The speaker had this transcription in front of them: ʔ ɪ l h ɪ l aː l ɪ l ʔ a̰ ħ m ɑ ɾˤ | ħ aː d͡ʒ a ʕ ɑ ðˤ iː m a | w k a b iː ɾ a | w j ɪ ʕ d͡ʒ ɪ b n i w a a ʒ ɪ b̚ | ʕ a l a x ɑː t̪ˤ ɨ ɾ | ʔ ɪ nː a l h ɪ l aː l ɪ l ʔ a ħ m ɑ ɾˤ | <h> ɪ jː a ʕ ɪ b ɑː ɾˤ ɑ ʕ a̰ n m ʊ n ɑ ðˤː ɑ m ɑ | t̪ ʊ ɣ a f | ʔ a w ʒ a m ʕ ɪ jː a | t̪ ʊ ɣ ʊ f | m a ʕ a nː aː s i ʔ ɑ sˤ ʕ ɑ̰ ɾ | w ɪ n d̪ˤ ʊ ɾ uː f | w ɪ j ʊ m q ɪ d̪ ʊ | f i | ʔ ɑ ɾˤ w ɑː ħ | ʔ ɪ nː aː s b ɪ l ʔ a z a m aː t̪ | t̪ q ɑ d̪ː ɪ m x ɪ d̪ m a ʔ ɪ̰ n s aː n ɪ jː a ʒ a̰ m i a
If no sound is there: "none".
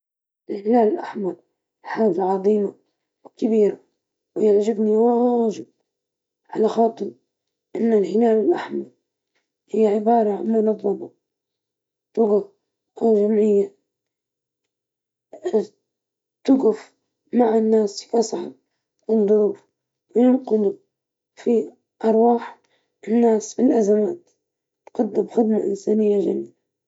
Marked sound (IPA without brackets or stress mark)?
h